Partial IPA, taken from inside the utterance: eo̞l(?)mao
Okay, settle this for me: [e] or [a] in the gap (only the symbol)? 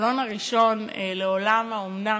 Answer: a